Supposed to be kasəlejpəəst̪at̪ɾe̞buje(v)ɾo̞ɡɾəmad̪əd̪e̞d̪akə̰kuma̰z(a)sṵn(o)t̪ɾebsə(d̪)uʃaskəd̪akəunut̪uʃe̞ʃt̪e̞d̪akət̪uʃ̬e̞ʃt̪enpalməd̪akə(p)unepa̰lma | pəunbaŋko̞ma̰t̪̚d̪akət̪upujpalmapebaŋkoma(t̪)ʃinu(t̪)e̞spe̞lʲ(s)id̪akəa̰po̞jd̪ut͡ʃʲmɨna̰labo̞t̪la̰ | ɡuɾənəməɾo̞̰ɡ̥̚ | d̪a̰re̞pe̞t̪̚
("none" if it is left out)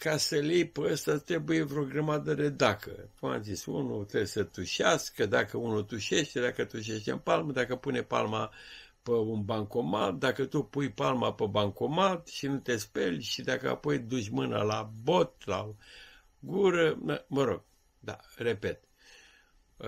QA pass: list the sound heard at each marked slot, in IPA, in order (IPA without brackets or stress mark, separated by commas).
v, i, u, t̪, p, t̪, t̪, ʃ